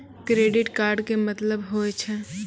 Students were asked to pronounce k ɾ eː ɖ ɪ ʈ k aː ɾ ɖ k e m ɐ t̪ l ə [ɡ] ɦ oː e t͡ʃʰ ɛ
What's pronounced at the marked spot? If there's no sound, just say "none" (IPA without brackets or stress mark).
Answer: b